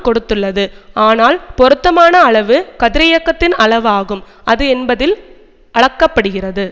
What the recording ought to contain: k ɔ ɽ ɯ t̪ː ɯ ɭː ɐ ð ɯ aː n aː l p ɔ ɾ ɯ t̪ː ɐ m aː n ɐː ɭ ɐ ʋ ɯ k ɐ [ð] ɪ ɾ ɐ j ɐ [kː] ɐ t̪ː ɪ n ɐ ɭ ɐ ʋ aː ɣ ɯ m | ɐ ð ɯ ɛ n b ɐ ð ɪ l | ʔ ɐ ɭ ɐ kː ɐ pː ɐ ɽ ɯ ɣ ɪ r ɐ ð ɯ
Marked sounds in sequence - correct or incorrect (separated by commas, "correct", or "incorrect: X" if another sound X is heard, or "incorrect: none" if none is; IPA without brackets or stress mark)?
correct, correct